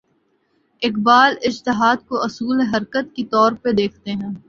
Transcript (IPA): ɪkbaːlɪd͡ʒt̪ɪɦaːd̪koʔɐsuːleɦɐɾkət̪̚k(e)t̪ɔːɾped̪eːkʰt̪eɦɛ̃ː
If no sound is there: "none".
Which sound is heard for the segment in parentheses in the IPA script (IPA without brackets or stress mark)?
i